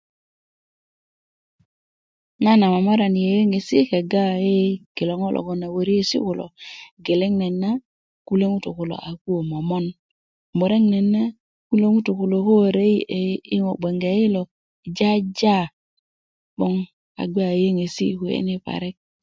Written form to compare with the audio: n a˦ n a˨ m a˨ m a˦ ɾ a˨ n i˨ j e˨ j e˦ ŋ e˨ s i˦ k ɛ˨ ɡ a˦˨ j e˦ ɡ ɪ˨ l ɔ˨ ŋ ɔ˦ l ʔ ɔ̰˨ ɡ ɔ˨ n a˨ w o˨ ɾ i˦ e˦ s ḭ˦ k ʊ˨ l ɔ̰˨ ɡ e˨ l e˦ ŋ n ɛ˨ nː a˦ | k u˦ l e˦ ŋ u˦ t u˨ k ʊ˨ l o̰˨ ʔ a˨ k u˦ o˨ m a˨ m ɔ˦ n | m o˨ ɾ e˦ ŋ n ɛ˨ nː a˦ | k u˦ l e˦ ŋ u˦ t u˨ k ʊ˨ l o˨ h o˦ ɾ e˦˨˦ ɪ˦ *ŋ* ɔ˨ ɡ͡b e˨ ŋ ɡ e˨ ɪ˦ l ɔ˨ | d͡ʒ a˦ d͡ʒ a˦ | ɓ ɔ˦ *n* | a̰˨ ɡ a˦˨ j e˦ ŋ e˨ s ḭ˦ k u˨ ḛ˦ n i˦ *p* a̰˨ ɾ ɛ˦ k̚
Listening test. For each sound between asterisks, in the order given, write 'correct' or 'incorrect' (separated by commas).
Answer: correct, incorrect, correct